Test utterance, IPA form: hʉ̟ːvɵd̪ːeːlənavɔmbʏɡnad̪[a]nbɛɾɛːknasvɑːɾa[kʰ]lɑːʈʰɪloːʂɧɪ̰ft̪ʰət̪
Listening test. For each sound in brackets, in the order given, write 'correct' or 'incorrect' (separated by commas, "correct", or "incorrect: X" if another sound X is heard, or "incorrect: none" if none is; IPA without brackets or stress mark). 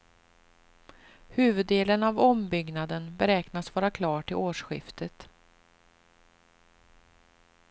incorrect: ə, correct